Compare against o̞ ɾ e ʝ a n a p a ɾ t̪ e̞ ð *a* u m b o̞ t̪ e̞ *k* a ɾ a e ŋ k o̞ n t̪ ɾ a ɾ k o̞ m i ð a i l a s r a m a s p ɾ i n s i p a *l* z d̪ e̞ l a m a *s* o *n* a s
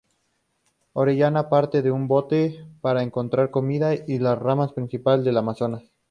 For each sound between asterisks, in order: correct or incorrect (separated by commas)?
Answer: incorrect, incorrect, correct, correct, correct